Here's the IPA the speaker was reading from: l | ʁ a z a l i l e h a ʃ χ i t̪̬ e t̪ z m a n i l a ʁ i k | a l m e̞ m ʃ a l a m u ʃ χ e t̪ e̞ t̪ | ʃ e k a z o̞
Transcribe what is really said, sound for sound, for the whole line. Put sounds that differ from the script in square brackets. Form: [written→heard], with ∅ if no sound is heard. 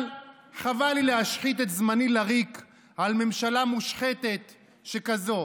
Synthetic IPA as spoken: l | [ʁ→χ] a [z→v] a l i l e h a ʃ χ i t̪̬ e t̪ z m a n i l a ʁ i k | a l m e̞ m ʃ a l a m u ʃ χ e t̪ e̞ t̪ | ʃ e k a z o̞